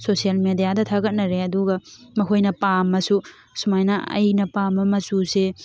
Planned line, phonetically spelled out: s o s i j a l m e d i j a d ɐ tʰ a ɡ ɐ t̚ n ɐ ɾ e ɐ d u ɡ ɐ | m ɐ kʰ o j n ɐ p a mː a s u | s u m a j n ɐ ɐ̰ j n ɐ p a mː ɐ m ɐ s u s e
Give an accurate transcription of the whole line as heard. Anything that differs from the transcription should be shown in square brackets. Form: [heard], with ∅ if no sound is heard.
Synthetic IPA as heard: s o s i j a l m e d i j a d ɐ tʰ a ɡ ɐ t̚ n ɐ ɾ e ɐ d u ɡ ɐ | m ɐ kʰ o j n ɐ p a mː [ɐ] s u | s u m a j n ɐ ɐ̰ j n ɐ p a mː ɐ m ɐ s u s e